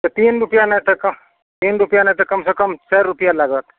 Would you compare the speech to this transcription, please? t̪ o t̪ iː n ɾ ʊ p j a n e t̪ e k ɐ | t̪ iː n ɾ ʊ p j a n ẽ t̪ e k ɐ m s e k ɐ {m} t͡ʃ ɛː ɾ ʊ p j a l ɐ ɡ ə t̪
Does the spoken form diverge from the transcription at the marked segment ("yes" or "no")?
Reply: no